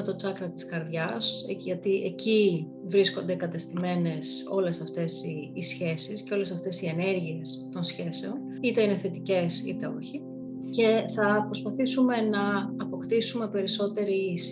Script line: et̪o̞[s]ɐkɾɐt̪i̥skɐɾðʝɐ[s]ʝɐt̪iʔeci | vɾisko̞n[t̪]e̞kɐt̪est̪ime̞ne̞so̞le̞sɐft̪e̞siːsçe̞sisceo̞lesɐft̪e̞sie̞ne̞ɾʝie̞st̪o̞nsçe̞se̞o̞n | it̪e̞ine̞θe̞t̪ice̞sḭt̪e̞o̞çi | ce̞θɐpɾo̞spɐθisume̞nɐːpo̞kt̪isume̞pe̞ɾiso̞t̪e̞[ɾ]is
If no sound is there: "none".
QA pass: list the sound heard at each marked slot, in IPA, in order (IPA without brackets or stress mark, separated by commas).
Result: t͡s, s, d̪, ɾ